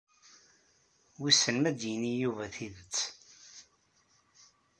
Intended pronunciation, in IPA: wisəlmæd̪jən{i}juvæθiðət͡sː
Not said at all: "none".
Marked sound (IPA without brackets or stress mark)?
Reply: i